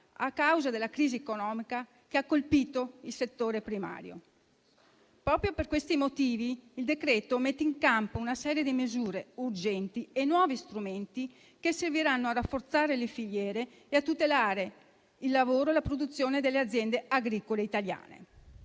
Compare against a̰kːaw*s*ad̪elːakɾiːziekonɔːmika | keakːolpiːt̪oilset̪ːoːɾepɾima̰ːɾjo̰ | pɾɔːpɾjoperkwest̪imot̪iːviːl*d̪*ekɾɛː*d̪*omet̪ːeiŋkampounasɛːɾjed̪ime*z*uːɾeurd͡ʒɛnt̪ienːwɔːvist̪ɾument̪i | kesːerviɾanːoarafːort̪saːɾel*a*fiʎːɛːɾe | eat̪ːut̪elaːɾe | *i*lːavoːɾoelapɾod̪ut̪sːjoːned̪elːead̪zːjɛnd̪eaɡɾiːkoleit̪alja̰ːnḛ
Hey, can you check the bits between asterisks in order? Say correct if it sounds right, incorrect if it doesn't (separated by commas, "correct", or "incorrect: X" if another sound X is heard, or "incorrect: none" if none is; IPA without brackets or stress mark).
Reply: incorrect: z, correct, incorrect: t̪, correct, incorrect: e, correct